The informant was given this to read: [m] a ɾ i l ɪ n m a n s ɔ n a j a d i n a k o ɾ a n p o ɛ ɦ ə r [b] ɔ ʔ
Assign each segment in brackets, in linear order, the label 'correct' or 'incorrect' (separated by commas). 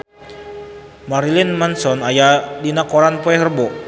correct, correct